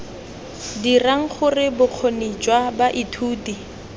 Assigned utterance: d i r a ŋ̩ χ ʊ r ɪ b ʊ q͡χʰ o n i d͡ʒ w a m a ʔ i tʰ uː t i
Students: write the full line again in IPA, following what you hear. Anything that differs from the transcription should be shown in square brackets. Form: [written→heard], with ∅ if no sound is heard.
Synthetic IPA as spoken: d i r a ŋ̩ χ ʊ r ɪ b ʊ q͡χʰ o n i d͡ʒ w a [m→b] a ʔ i tʰ uː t i